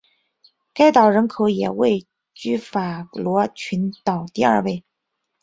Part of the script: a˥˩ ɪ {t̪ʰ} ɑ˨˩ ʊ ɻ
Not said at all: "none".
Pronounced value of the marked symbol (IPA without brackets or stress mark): t̪